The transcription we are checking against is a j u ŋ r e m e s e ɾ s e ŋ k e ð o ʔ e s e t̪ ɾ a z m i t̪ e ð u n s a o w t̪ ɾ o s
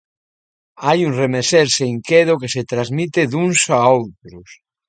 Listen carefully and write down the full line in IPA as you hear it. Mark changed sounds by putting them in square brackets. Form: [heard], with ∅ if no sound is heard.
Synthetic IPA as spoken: a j u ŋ r e m e s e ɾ s e ŋ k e ð o [k] e s e t̪ ɾ a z m i t̪ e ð u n s a o w t̪ ɾ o s